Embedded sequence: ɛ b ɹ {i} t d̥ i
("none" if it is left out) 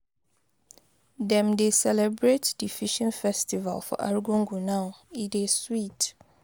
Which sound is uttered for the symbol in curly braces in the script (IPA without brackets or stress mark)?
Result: e